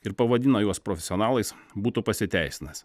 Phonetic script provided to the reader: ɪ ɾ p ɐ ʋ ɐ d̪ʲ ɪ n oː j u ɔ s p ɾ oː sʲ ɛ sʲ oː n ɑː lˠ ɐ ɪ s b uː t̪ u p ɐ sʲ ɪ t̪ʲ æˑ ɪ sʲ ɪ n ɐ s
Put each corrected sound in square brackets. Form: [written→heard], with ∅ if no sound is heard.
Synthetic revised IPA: ɪ ɾ p ɐ ʋ ɐ d̪ʲ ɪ n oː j u ɔ s p ɾ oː [sʲ→fʲ] ɛ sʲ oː n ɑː lˠ ɐ ɪ s b uː t̪ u p ɐ sʲ ɪ t̪ʲ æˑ ɪ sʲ ɪ n ɐ s